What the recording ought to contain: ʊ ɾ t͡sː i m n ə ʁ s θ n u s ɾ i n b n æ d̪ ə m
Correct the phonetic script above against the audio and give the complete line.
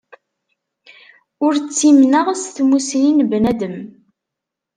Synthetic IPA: ʊ ɾ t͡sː i m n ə ʁ s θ m u s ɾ i n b n æ d̪ ə m